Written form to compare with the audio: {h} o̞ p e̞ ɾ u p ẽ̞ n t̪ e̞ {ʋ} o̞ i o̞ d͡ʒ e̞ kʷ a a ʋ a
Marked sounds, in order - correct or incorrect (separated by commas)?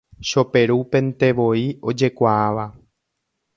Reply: incorrect, correct